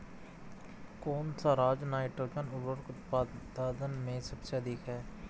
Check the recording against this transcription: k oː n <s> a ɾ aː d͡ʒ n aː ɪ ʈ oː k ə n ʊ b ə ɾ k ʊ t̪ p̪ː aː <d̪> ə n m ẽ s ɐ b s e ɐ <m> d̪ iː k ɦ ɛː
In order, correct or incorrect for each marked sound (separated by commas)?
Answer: correct, correct, incorrect